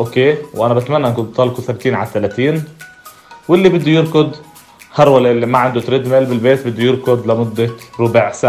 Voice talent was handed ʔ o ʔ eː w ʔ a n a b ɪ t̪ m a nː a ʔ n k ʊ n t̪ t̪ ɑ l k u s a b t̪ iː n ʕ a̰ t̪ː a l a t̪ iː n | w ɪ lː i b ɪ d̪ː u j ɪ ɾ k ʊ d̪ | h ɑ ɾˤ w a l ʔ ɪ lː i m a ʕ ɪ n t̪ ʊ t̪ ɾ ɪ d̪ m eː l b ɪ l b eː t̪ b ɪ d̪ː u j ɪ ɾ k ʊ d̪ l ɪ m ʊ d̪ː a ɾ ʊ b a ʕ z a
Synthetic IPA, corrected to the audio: ʔ o k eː w ʔ a n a b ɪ t̪ m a nː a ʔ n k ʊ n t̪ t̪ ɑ l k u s a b t̪ iː n ʕ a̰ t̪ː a l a t̪ iː n | w ɪ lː i b ɪ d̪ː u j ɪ ɾ k ʊ d̪ | h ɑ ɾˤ w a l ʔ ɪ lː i m a ʕ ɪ n d̪ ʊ t̪ ɾ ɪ d̪ m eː l b ɪ l b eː t̪ b ɪ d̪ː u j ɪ ɾ k ʊ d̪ l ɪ m ʊ d̪ː a ɾ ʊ b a ʕ s a